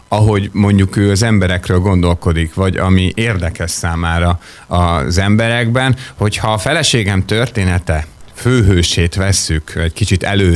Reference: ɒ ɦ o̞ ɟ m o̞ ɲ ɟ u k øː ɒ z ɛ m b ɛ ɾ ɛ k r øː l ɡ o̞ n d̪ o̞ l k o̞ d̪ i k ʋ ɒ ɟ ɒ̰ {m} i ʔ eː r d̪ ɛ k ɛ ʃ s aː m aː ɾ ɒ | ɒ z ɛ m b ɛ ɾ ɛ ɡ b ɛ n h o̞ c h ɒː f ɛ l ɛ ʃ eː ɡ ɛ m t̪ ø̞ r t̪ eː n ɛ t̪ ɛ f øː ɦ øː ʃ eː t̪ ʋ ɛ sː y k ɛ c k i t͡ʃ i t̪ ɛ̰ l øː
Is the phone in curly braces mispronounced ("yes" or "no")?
no